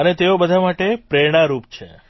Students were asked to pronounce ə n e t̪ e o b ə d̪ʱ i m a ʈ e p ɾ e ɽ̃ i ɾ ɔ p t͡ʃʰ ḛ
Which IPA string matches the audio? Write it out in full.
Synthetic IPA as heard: ə n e t̪ e o b ə d̪ʱ a m a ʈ e p ɾ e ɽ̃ a ɾ u p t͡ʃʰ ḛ